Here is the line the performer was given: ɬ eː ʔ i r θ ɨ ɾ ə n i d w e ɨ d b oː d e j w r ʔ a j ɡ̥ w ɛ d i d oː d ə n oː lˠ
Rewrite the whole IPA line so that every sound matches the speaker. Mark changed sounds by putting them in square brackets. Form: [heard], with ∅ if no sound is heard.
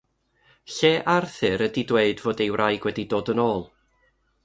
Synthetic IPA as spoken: ɬ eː ʔ [a] r θ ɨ ɾ ə [d] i d w e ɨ d [v] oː d e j w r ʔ a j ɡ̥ w ɛ d i d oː d ə n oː lˠ